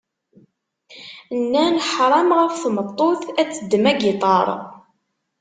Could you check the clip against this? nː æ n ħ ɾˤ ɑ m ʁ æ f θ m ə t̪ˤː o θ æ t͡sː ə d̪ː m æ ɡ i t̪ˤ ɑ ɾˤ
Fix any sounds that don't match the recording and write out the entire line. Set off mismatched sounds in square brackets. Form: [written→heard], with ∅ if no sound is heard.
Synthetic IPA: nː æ n ħ ɾˤ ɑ m ʁ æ f θ m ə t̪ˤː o θ æ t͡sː ə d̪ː m æ ɡ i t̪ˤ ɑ ɾˤ